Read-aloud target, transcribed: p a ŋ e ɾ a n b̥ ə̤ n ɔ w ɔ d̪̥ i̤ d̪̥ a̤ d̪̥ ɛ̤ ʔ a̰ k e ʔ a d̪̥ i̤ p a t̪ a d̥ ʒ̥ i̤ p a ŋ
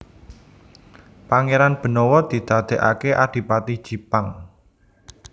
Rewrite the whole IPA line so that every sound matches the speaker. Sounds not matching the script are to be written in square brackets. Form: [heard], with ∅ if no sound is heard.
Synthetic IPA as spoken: p a ŋ e ɾ a n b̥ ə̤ n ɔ w ɔ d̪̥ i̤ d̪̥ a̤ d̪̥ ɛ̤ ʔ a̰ k e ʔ a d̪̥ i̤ p a t̪ [i] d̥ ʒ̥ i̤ p a ŋ